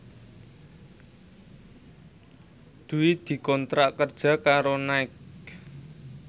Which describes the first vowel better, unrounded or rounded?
rounded